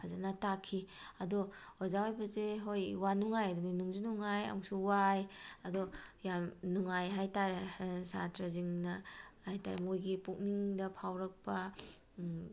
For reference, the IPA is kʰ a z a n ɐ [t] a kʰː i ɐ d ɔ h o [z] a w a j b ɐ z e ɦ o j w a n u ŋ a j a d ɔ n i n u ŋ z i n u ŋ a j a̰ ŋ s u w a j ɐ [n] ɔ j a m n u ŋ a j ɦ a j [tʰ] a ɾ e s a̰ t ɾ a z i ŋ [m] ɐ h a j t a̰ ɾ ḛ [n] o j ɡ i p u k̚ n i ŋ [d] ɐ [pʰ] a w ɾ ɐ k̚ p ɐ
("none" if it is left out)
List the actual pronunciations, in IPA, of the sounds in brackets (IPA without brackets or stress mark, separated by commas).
t, z, d, t, n, m, d, pʰ